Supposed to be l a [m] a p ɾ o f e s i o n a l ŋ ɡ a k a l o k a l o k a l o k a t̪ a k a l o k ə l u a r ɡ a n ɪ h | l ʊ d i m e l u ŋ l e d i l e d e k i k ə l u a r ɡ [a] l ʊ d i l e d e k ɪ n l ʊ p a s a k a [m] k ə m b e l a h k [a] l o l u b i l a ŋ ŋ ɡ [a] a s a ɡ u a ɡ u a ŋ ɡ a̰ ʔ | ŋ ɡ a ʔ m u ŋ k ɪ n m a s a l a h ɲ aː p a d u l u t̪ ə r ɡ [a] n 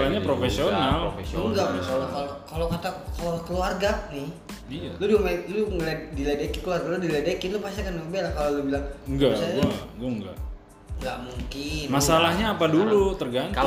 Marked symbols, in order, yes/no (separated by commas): no, yes, no, yes, yes, yes